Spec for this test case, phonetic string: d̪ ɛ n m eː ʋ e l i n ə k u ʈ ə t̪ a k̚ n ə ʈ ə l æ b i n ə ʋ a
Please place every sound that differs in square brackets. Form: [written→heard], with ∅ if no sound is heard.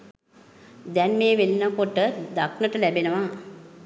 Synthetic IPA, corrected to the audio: d̪ ɛ n m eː ʋ e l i n ə k [u→o] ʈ ə [t̪→d̪] a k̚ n ə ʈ ə l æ b [i→e] n ə ʋ a